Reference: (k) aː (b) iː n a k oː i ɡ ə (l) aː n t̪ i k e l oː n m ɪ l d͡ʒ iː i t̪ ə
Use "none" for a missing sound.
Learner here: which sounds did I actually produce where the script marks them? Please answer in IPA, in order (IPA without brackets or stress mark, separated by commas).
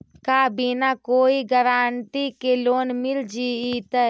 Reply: k, b, ɾ